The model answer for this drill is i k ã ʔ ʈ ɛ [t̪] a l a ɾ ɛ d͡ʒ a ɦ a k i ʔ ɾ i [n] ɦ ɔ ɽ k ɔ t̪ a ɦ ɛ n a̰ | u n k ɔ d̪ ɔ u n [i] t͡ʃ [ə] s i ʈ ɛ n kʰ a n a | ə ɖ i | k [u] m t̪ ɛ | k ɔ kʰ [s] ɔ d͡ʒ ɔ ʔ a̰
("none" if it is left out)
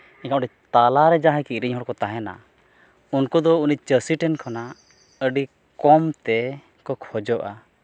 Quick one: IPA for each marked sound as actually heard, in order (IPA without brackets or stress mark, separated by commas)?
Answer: t̪, ɲ, i, ə, ɔ, h